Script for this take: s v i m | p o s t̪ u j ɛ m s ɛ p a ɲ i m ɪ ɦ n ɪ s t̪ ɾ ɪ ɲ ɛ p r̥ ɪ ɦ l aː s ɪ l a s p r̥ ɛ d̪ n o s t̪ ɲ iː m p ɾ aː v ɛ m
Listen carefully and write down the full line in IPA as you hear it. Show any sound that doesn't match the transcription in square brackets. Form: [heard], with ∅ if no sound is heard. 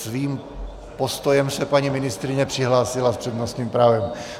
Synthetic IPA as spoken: s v [iː] m | p o s t̪ [o] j ɛ m s ɛ p a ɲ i m ɪ [∅] n ɪ s t̪ ɾ ɪ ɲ ɛ p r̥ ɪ ɦ l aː s ɪ l a s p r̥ ɛ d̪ n o s t̪ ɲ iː m p ɾ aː v ɛ m